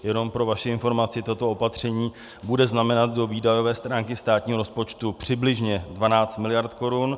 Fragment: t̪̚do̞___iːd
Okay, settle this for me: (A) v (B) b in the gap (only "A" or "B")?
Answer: A